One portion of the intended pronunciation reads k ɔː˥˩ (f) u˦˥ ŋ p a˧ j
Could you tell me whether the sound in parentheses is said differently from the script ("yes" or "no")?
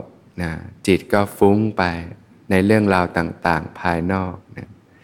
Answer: no